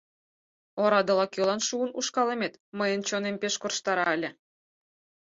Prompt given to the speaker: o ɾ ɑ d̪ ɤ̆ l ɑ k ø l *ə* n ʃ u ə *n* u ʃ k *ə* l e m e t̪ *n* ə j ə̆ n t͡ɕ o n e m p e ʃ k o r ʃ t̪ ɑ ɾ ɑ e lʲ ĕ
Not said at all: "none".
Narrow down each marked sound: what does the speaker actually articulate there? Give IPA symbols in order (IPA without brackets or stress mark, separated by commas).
ɑ, n, ɑ, m